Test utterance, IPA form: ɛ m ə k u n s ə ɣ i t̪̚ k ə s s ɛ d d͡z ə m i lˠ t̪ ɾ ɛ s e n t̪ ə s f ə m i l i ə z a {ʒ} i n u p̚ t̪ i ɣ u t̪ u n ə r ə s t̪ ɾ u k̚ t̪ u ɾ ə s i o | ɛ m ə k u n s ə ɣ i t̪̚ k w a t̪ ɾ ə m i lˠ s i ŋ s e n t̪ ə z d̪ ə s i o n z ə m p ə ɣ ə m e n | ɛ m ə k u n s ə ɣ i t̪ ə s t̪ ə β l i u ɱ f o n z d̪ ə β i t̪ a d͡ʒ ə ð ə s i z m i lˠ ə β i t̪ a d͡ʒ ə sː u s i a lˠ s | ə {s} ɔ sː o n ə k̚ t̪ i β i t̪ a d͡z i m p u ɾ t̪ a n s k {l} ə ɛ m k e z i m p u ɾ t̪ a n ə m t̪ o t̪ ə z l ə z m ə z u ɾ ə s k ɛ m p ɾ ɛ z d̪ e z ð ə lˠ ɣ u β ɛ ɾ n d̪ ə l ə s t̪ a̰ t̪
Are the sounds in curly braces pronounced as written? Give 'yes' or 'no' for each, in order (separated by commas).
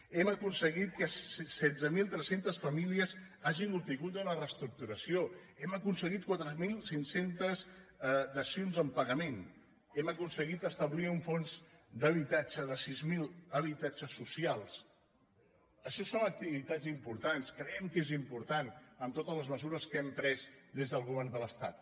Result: yes, no, no